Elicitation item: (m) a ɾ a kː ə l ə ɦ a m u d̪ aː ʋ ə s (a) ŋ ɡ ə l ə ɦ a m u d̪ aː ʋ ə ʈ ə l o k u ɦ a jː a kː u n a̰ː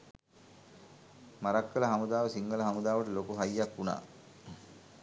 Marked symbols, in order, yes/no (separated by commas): yes, no